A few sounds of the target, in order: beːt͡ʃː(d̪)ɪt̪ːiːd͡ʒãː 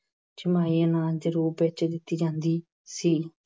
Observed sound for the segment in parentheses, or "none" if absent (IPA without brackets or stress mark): d̪